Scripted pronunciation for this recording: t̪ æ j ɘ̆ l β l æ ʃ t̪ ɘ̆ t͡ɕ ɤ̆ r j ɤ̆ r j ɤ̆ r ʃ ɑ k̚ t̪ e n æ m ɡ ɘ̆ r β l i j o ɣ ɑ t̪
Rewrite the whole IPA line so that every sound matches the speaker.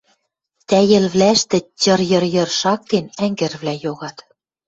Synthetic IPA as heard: t̪ æ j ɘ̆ l β l æ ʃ t̪ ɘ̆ t͡ɕ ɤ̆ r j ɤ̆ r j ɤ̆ r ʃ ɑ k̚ t̪ e n æ ŋ ɡ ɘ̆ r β l æ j o ɣ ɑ t̪